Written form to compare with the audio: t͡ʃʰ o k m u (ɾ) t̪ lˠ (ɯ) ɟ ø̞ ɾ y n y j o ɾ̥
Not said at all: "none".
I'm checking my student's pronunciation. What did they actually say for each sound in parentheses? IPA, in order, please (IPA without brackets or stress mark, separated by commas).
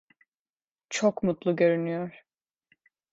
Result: none, u